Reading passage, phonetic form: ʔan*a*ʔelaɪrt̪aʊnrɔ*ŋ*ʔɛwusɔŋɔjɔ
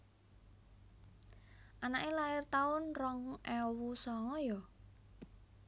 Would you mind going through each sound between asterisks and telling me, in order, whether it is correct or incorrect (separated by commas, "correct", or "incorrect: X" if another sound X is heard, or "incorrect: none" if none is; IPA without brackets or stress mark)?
correct, correct